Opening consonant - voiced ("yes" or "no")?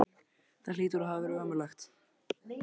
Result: no